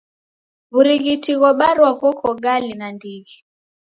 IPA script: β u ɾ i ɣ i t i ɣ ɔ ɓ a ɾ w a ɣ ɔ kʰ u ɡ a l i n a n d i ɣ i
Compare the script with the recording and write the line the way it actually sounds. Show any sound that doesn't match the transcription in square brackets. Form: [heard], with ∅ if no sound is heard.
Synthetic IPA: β u ɾ i ɣ i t i ɣ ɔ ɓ a ɾ w a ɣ ɔ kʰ [ɔ] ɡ a l i n a n d i ɣ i